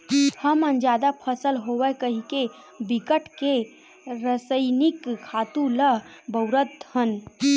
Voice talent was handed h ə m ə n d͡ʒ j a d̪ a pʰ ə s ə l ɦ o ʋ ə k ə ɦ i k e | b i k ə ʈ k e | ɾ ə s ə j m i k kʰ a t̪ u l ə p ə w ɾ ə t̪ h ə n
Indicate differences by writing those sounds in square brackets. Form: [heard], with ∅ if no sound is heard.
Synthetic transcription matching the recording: h ə m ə n d͡ʒ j a d̪ a pʰ ə s ə l ɦ o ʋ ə k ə ɦ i k e | b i k ə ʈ k e | ɾ ə s ə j [n] i k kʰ a t̪ u l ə [b] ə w ɾ ə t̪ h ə n